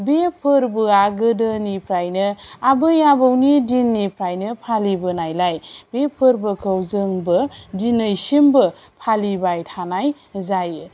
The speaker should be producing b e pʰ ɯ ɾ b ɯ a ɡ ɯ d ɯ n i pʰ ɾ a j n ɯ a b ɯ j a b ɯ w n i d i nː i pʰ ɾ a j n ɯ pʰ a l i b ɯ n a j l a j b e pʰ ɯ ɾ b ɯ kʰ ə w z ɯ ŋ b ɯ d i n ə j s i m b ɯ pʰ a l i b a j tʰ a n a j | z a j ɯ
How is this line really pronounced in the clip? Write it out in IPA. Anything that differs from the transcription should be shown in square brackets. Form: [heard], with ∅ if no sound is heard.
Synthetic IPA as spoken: b e pʰ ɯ ɾ b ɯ a ɡ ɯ d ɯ n i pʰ ɾ a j n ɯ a b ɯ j a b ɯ w n i d i nː i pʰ ɾ a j n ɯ pʰ a l i b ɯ n a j l a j b e pʰ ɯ ɾ b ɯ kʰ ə w z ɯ ŋ b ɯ d i n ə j s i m b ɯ pʰ a l i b a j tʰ a n a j | z a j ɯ